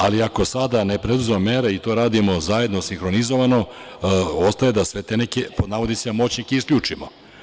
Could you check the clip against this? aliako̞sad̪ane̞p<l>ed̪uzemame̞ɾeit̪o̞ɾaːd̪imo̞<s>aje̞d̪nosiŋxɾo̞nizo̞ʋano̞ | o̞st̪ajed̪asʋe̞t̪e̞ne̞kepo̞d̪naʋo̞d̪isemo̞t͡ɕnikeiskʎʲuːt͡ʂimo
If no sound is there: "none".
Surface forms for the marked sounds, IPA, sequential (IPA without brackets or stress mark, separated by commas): ɾ, z